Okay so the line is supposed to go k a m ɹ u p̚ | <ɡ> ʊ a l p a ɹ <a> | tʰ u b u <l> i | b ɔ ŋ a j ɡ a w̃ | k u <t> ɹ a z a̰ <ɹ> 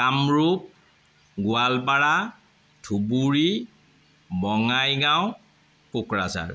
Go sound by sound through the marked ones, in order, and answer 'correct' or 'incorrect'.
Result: correct, correct, incorrect: ɹ, incorrect: k, correct

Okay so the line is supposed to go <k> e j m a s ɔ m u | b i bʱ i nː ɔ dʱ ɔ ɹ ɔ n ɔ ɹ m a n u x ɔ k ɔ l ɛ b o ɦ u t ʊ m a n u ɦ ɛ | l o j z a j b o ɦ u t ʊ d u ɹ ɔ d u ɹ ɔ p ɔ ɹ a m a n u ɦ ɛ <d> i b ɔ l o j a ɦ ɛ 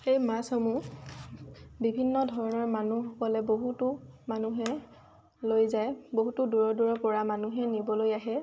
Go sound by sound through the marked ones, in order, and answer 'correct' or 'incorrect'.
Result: incorrect: x, incorrect: n

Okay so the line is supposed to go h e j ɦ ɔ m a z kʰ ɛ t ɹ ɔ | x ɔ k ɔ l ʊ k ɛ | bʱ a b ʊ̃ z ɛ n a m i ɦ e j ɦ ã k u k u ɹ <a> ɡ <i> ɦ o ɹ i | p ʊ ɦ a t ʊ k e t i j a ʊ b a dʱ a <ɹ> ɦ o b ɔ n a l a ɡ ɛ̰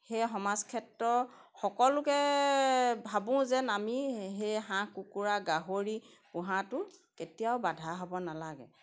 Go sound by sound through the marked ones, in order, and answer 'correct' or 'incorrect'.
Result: correct, incorrect: a, incorrect: none

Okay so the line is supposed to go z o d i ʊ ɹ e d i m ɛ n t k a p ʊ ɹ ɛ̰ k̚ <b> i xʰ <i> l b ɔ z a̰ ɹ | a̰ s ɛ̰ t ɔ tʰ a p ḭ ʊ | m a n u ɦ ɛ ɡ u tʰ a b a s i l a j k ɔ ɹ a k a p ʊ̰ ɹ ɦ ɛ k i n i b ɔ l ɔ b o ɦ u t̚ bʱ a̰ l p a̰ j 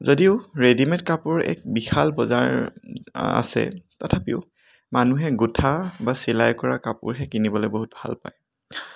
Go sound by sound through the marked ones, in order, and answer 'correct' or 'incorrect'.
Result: correct, incorrect: a

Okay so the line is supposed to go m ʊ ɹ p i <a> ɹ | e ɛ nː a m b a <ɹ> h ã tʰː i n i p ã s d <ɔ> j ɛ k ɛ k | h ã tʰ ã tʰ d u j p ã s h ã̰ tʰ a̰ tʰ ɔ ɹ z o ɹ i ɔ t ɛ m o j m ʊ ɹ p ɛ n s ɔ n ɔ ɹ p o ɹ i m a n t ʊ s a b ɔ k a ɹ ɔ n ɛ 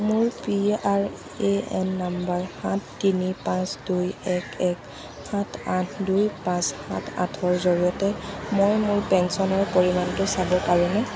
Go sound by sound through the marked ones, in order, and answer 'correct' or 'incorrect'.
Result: correct, correct, incorrect: u

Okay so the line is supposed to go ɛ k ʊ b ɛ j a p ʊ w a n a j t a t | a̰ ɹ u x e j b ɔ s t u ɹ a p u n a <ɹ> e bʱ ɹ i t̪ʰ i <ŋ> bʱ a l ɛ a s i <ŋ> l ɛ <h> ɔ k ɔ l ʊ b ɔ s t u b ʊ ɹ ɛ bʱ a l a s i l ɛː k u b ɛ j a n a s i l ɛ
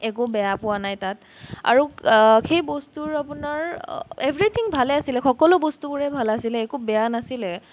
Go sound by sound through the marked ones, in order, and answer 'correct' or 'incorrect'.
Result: correct, correct, incorrect: none, incorrect: x

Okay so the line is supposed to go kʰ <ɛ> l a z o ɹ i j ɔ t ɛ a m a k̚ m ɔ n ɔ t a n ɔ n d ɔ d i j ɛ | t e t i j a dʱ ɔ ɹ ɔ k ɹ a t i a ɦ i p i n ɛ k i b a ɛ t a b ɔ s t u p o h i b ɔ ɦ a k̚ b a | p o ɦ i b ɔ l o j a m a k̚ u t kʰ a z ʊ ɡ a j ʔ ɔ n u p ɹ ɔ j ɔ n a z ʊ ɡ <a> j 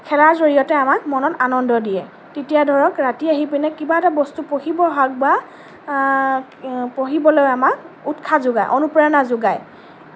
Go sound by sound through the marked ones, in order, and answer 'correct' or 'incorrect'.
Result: correct, correct

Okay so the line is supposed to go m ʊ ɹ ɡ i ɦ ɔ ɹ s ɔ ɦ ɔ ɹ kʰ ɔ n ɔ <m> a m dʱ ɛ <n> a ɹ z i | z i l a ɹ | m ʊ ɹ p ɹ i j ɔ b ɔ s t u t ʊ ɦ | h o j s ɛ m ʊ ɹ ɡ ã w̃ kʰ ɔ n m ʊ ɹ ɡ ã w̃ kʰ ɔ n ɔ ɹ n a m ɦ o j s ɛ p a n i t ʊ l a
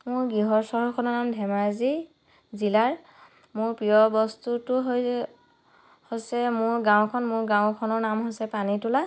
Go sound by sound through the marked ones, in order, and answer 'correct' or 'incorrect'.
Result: incorrect: n, incorrect: m

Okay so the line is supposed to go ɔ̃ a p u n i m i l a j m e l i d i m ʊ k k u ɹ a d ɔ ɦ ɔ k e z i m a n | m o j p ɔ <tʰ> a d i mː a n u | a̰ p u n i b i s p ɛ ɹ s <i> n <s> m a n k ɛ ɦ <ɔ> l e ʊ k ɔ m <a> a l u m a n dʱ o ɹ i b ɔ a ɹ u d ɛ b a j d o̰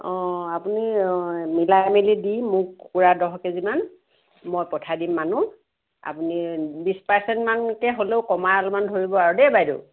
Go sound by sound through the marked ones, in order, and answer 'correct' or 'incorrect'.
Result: correct, incorrect: ɛ, incorrect: t, incorrect: o, correct

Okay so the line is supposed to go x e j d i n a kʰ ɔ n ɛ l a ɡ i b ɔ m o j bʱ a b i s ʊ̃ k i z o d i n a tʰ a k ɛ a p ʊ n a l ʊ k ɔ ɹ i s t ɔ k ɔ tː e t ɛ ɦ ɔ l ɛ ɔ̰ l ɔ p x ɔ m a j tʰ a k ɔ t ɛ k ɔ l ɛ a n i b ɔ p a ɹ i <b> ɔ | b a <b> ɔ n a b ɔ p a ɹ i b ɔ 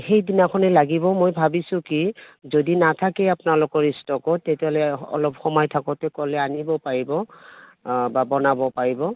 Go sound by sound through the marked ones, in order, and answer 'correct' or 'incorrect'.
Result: correct, correct

